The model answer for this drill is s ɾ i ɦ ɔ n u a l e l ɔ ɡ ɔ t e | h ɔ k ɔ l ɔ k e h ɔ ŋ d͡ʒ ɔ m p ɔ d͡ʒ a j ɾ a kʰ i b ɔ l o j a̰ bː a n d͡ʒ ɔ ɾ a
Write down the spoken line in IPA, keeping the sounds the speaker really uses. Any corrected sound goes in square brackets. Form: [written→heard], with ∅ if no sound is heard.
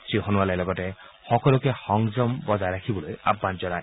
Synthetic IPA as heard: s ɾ i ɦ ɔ n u a l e l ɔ ɡ ɔ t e | h ɔ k ɔ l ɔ k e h ɔ ŋ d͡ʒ ɔ m [p→b] ɔ d͡ʒ a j ɾ a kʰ i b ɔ l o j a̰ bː a n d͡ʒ ɔ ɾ a